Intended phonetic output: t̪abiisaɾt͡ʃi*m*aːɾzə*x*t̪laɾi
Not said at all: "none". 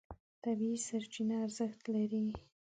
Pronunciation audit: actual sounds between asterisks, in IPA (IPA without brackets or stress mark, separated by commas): n, x